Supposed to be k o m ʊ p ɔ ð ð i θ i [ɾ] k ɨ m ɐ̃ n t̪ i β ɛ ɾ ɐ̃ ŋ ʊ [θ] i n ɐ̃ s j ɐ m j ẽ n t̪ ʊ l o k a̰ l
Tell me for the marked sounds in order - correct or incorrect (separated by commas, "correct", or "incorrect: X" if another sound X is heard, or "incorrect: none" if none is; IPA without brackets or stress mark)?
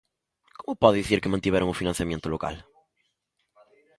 correct, incorrect: f